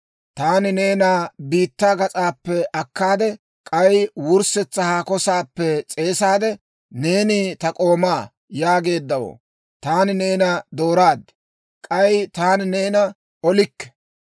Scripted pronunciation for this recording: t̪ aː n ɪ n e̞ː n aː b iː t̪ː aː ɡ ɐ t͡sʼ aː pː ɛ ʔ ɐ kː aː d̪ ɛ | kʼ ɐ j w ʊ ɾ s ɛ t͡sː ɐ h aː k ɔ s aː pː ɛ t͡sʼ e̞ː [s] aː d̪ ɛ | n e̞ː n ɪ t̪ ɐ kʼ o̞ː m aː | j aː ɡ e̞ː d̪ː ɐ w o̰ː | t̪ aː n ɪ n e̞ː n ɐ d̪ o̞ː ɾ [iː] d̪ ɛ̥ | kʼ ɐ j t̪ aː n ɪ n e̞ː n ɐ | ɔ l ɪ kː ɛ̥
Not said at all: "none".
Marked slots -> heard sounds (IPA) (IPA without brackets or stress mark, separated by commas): s, aː